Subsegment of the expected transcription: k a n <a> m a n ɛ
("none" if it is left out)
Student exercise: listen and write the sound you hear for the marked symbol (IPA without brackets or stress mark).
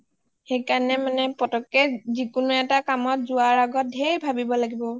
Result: ɛ